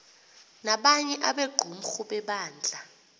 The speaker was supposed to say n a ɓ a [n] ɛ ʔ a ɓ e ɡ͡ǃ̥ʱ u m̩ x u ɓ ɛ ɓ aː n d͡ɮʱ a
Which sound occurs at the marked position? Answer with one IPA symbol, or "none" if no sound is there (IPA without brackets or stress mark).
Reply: ɲ